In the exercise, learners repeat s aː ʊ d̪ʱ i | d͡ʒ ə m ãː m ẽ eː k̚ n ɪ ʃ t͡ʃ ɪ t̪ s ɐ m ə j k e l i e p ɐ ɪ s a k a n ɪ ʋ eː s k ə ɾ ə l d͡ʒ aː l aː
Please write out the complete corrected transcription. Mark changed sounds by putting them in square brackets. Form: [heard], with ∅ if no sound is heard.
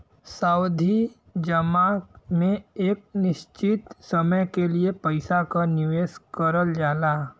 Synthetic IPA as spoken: s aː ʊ d̪ʱ i | d͡ʒ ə m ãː m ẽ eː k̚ n ɪ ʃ t͡ʃ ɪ t̪ s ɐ m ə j k e l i e p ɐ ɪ s a k a n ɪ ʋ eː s k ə ɾ ə l d͡ʒ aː l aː